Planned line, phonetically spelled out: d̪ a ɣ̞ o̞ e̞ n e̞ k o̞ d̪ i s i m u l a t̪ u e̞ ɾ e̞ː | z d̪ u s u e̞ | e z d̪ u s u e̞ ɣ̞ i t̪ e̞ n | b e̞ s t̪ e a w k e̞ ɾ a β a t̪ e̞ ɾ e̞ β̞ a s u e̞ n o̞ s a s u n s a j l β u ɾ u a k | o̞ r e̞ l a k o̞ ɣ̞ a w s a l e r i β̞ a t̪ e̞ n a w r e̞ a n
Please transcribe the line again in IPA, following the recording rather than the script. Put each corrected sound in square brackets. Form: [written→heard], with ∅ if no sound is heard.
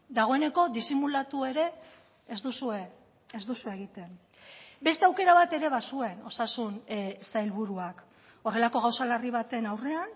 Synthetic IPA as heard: d̪ a ɣ̞ o̞ e̞ n e̞ k o̞ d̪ i s i m u l a t̪ u e̞ ɾ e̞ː | z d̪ u s u e̞ | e z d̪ u s u e̞ ɣ̞ i t̪ e̞ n | b e̞ s t̪ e a w k e̞ ɾ a β a t̪ e̞ ɾ e̞ β̞ a s u e̞ n o̞ s a s u n s a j l β u ɾ u a k | o̞ r e̞ l a k o̞ ɣ̞ a w s a l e r i β̞ a t̪ e̞ n a w r e̞ a n